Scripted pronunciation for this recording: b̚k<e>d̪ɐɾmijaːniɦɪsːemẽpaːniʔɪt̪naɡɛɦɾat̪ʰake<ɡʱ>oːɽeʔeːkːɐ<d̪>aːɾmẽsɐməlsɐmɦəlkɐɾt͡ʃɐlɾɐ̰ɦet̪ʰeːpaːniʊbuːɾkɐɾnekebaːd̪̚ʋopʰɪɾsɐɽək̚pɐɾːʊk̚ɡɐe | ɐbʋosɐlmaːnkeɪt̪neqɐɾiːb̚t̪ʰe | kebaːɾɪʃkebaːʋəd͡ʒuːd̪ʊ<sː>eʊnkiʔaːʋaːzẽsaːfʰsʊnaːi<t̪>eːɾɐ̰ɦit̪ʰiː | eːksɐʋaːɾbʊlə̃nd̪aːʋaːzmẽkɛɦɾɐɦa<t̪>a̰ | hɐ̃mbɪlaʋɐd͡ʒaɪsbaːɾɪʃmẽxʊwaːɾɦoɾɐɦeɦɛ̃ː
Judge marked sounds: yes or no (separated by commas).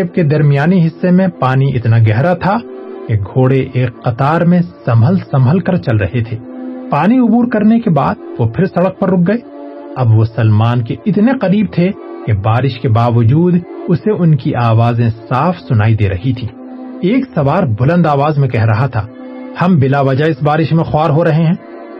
yes, yes, no, no, no, no